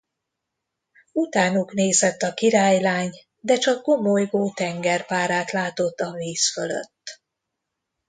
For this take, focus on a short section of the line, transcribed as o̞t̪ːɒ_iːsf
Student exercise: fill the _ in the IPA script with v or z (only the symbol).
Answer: v